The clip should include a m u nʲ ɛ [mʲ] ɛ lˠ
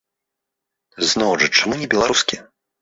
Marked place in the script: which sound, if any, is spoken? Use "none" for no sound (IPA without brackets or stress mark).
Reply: bʲ